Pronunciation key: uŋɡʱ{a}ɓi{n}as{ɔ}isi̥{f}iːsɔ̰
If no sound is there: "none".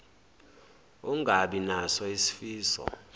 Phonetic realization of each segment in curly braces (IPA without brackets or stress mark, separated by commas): a, n, ɔ, f